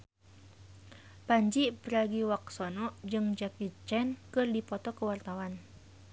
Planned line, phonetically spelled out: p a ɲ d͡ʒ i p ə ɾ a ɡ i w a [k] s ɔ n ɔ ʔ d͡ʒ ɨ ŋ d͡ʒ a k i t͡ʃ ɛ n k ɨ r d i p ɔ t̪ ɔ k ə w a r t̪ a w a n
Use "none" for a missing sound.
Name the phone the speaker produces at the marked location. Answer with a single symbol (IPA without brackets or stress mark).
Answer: k